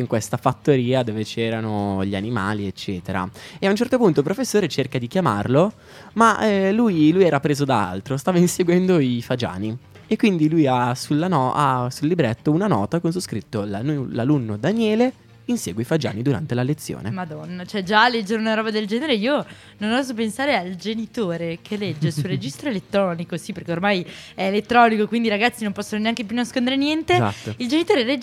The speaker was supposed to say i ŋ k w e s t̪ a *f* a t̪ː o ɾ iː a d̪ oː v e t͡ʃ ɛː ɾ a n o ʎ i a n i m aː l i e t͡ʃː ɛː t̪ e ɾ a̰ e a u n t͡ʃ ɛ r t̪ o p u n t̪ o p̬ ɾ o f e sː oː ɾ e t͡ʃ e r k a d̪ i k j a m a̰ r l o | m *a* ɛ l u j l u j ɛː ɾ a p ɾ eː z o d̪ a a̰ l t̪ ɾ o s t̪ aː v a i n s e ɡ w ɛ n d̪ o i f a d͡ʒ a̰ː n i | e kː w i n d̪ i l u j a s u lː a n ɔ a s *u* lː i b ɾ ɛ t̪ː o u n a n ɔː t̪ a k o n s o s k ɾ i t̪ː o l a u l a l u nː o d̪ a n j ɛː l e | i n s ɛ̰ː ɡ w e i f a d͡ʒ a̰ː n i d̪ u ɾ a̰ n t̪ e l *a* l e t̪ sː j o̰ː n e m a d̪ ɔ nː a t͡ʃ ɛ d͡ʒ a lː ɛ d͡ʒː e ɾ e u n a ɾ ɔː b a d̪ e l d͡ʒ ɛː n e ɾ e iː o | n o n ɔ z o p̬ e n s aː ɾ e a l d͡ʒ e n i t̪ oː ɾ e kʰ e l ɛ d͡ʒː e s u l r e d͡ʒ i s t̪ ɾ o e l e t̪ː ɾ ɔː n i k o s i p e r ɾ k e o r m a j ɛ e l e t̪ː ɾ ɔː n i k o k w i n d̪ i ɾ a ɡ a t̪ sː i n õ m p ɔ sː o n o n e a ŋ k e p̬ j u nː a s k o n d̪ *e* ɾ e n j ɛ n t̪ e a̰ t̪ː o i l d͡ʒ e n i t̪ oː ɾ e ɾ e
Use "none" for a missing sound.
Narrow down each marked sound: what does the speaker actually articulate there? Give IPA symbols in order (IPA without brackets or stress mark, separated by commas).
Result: f, a, u, a, e